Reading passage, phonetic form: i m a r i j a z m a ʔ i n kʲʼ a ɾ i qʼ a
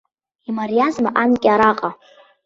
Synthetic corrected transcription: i m a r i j a z m a ʔ a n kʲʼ a ɾ a qʼ a